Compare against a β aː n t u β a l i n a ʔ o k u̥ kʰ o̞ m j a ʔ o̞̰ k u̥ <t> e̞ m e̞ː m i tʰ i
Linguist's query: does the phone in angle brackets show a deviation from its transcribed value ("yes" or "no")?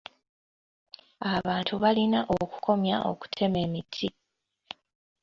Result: yes